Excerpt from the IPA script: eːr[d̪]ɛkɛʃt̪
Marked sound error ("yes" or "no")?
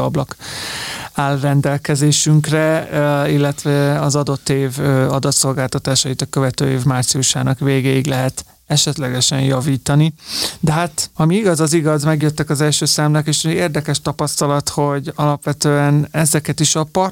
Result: no